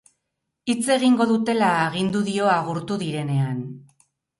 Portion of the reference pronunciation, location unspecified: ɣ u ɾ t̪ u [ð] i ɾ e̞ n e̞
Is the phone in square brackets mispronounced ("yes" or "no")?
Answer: no